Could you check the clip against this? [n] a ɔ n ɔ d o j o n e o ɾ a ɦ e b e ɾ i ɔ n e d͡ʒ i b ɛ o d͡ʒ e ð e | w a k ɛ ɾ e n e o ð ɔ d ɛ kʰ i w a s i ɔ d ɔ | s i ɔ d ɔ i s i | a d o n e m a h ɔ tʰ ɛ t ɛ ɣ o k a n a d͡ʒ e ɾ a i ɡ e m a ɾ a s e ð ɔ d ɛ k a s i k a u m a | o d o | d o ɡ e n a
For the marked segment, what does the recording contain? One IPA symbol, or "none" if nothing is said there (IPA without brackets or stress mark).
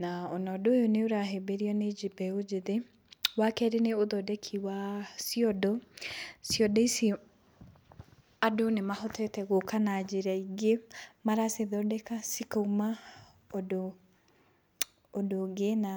n